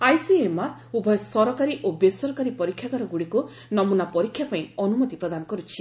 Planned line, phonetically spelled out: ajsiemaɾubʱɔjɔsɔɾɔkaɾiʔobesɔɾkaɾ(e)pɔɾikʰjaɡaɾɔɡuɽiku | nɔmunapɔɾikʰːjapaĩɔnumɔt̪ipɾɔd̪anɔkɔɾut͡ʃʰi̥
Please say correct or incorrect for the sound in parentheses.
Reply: incorrect: i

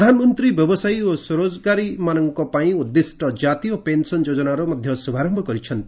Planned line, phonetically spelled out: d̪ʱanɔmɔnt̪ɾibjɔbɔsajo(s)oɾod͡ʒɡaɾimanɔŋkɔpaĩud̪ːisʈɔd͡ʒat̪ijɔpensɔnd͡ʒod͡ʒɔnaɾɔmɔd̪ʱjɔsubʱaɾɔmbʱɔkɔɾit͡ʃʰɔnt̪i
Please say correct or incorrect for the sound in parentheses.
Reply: correct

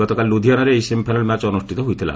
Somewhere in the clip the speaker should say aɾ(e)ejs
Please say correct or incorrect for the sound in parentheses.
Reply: correct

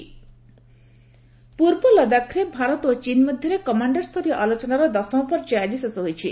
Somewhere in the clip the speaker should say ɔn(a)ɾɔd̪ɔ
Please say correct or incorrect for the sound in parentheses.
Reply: correct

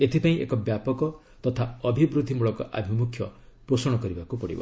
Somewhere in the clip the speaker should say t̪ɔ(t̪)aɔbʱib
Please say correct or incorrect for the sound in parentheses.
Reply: incorrect: t̪ʰ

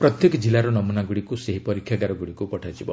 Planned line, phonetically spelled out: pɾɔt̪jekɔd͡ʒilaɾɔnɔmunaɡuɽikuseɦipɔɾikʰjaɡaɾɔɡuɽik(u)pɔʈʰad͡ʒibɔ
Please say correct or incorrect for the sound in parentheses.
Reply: correct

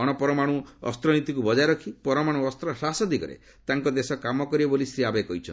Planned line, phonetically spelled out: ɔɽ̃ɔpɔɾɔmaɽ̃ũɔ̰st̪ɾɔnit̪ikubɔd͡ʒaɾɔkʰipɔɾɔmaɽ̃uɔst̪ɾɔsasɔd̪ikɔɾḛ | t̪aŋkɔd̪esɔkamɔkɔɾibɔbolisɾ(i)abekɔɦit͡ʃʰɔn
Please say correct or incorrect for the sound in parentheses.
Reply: correct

